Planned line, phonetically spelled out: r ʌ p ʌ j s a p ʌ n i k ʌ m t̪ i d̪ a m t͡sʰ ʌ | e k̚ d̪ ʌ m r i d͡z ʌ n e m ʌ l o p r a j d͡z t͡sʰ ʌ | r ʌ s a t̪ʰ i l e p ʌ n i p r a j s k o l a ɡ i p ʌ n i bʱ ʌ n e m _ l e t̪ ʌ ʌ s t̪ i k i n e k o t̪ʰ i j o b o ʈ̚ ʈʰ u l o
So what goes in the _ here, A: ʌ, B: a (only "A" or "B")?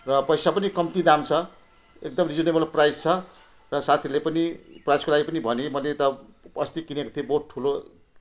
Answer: A